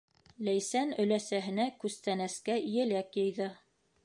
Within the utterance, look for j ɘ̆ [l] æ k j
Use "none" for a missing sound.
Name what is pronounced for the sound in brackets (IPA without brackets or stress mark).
l